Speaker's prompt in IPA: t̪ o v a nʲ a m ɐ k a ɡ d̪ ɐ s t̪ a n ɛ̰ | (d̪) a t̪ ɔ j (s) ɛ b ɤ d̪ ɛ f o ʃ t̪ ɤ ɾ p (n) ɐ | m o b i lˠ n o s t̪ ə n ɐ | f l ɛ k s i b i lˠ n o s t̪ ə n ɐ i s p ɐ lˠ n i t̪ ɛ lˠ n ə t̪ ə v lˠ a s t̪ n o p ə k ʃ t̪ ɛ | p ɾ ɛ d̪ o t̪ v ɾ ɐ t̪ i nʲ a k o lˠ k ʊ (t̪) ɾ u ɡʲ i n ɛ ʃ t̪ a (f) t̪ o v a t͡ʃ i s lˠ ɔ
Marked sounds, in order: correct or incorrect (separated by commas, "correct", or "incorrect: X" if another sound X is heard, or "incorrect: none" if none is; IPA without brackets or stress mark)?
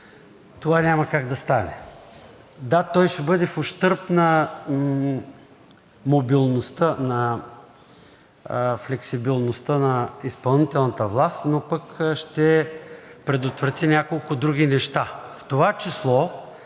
correct, incorrect: ʃ, correct, incorrect: d̪, correct